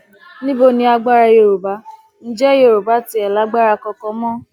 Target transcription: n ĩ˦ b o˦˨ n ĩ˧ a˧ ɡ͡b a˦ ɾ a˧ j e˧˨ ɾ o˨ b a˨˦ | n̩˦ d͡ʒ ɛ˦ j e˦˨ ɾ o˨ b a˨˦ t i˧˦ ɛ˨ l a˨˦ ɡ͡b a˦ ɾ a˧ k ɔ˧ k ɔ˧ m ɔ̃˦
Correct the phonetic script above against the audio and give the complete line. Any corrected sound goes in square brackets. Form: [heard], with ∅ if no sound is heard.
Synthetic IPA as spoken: n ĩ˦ b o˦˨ n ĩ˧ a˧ ɡ͡b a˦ ɾ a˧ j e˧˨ ɾ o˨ b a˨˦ | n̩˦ d͡ʒ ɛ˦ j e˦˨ ɾ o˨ b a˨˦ t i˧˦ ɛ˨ l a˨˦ ɡ͡b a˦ ɾ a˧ k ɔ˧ k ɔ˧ m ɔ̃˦